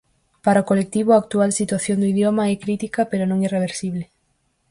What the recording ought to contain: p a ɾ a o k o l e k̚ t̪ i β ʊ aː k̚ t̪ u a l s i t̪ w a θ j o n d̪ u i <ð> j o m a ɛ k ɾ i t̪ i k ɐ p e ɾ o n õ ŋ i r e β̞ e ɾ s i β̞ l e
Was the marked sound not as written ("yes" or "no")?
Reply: no